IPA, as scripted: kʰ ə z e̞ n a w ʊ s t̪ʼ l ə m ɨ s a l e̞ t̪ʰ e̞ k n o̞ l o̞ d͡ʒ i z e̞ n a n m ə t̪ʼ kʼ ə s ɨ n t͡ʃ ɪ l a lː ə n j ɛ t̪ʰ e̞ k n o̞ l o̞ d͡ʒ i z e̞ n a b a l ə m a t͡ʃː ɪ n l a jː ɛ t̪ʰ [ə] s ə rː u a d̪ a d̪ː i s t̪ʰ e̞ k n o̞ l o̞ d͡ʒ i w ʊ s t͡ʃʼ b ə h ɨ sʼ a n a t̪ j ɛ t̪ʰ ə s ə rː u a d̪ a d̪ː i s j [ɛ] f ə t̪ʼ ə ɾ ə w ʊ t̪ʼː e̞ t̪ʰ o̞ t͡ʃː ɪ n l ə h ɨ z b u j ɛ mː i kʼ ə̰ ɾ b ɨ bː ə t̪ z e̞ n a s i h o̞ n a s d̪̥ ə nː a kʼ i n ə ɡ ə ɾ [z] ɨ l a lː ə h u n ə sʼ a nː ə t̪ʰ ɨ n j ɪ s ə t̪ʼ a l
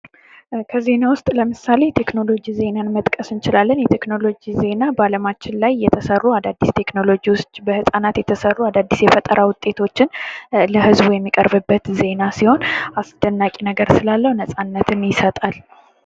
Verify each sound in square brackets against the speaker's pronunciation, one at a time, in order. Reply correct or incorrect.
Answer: correct, correct, incorrect

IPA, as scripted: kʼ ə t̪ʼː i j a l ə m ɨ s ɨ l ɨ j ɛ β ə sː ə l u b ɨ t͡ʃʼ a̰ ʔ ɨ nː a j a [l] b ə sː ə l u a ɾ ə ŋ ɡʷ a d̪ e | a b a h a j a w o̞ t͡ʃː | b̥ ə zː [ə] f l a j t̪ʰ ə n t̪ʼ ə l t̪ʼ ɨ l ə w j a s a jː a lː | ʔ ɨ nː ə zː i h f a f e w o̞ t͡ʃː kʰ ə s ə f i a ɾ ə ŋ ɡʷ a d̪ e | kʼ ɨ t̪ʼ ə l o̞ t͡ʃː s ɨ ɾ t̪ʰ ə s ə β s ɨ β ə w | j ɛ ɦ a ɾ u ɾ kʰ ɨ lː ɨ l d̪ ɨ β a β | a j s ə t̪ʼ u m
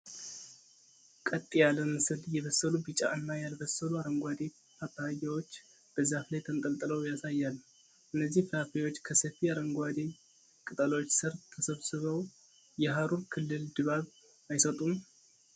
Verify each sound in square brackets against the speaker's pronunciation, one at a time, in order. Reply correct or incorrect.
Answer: correct, incorrect

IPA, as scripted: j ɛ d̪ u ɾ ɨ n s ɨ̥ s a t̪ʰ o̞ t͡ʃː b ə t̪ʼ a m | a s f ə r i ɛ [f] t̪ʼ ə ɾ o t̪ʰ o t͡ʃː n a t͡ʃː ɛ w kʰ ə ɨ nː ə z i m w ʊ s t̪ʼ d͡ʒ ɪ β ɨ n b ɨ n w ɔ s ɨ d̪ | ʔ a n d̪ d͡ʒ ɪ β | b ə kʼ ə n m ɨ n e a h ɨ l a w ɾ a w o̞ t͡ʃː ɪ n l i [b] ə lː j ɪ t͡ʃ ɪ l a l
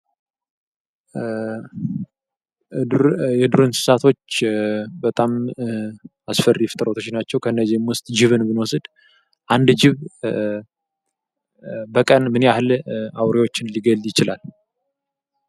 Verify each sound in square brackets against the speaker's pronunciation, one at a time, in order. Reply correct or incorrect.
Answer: correct, incorrect

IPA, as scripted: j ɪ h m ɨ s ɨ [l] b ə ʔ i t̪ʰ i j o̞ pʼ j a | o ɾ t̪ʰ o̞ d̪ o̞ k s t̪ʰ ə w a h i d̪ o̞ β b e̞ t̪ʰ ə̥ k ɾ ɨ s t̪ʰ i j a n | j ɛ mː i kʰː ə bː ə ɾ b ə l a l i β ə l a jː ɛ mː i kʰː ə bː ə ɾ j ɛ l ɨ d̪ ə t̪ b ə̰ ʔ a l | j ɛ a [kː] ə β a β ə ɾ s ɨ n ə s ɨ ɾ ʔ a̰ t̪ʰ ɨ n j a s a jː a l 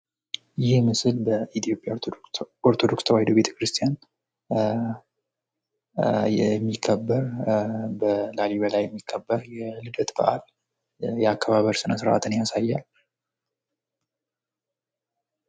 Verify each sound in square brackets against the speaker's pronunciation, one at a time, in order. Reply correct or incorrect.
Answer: correct, correct

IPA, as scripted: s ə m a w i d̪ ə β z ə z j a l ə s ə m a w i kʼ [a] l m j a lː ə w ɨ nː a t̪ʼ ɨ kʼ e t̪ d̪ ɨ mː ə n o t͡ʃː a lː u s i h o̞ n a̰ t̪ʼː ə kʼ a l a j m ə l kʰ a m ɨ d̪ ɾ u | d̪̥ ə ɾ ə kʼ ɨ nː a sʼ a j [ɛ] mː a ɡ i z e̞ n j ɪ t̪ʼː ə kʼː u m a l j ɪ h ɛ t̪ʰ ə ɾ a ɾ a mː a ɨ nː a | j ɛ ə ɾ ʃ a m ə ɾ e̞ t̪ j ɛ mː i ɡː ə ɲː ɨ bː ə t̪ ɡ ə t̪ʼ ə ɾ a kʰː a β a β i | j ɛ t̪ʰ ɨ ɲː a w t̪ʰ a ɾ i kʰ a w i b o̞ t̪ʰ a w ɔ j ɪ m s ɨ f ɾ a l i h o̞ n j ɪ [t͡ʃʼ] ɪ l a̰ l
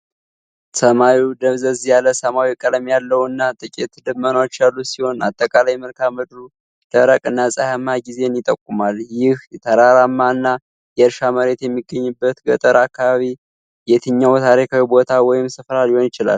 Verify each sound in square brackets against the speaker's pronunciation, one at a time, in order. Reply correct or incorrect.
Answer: incorrect, incorrect, incorrect

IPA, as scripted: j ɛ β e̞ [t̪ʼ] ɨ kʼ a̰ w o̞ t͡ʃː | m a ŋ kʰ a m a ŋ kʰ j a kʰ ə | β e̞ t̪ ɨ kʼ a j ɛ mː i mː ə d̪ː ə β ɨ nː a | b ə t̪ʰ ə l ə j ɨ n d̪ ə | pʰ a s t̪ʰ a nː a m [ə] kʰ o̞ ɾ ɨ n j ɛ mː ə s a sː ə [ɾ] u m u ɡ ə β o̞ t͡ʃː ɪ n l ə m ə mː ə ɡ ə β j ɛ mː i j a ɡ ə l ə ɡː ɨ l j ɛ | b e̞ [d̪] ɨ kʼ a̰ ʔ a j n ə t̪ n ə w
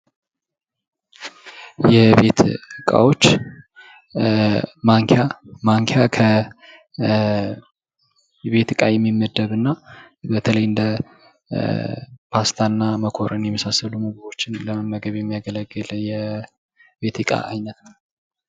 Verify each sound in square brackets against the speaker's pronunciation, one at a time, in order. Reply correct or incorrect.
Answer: incorrect, correct, incorrect, incorrect

